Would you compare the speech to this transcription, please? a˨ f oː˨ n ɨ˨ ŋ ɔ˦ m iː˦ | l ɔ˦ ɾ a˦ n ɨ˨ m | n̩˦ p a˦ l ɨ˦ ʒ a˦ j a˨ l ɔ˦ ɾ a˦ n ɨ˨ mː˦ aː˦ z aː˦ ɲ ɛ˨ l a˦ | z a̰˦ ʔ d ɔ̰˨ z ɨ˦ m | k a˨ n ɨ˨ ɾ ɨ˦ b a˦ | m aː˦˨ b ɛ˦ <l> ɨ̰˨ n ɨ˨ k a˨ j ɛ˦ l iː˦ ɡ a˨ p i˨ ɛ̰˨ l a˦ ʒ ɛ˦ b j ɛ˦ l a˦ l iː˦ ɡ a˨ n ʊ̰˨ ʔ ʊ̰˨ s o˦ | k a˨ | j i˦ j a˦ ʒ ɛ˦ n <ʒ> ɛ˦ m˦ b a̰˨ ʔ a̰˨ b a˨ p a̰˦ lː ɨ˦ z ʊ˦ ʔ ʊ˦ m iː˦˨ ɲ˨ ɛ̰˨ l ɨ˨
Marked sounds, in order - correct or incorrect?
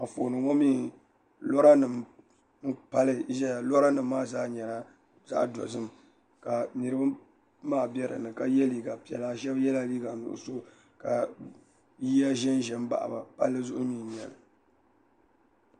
incorrect: ɾ, correct

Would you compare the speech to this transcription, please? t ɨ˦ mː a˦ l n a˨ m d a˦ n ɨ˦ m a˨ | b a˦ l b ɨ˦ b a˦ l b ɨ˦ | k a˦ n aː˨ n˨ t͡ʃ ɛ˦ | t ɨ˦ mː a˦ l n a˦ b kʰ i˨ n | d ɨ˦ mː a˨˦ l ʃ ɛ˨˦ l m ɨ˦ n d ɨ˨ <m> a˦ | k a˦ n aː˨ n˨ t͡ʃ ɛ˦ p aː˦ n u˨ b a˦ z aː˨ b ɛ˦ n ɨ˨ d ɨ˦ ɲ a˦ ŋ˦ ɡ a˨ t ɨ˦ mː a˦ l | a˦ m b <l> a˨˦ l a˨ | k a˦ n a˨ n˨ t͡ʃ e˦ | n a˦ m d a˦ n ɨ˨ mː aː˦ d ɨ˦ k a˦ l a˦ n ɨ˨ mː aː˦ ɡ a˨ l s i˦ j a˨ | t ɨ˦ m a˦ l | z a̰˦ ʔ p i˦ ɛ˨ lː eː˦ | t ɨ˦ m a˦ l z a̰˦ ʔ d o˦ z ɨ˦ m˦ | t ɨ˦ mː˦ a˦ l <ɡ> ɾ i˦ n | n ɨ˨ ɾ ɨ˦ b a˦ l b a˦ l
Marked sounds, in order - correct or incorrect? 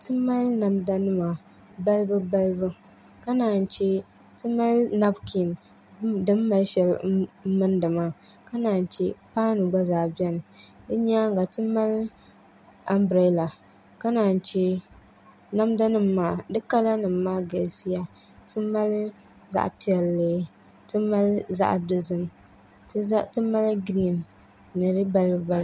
correct, incorrect: ɾ, correct

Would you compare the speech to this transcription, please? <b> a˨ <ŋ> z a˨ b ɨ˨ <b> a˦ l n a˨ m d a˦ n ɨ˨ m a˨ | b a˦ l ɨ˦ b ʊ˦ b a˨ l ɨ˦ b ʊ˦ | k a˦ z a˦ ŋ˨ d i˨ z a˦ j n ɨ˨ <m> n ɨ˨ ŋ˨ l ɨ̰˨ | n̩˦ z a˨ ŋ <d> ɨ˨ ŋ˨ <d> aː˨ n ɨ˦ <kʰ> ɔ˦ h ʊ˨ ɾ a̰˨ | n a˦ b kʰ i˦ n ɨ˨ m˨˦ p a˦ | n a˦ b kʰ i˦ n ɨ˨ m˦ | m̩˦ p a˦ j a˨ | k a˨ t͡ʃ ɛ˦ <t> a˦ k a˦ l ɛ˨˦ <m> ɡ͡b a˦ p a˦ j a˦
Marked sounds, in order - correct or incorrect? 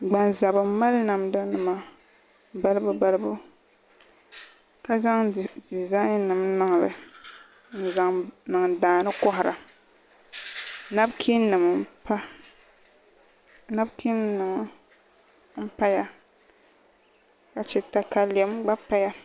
incorrect: ɡ͡b, incorrect: n, incorrect: m, correct, incorrect: n, correct, incorrect: k, correct, correct

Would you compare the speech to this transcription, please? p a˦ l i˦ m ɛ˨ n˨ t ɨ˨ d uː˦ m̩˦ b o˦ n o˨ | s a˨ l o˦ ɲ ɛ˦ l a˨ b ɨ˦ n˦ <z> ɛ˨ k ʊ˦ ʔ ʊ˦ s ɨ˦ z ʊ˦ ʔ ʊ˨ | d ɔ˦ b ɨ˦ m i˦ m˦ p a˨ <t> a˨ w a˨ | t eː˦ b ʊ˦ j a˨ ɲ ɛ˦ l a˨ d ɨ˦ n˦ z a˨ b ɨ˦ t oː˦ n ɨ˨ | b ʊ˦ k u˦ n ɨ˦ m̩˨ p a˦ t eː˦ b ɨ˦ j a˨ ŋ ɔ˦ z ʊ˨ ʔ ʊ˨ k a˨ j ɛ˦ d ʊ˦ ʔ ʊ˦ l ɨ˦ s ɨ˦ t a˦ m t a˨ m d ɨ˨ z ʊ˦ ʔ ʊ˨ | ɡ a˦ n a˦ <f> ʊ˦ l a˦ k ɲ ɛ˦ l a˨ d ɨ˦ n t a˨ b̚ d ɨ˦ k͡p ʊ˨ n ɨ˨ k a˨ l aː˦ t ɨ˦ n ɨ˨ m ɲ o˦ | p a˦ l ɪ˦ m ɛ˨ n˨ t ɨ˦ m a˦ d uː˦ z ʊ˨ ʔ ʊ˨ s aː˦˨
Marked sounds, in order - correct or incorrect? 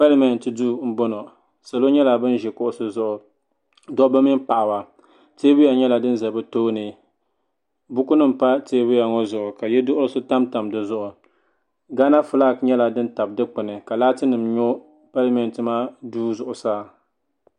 incorrect: ʒ, incorrect: ʔ, correct

